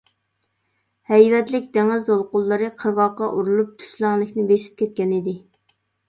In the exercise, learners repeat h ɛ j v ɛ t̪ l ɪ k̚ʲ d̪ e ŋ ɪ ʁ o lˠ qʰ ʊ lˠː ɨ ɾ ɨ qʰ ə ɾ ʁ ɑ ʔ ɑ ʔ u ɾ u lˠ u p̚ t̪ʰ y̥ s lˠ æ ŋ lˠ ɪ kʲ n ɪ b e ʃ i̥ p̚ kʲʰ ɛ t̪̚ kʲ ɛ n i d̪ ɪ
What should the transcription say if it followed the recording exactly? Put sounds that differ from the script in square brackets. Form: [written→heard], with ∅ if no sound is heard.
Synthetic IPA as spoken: h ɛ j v ɛ t̪ l ɪ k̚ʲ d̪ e ŋ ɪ [ʁ→z] o lˠ [qʰ→q] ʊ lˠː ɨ ɾ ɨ qʰ ə ɾ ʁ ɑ [ʔ→q] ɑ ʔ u ɾ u lˠ u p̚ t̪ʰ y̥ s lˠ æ ŋ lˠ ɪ kʲ n ɪ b e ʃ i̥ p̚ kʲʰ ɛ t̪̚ kʲ ɛ n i d̪ ɪ